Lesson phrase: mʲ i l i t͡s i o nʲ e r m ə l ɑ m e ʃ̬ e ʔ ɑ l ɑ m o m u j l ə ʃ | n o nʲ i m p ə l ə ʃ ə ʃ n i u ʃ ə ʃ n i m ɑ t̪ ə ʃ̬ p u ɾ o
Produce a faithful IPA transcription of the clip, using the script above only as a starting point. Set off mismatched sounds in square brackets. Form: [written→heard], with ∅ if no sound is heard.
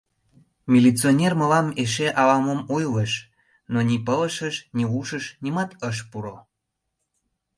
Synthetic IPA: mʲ i l i t͡s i o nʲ e r m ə l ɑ m e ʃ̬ e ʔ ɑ l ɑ m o m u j l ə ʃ | n o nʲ i [m→∅] p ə l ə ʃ ə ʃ n i u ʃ ə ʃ n i m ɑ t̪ ə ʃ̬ p u ɾ o